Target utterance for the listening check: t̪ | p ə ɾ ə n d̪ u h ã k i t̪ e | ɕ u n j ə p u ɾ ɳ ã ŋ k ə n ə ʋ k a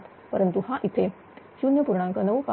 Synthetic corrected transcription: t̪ | p ə ɾ ə n t̪ u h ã ʔ i t̪ʰ e | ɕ u n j ə p u ɾ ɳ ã ŋ k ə n ə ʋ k a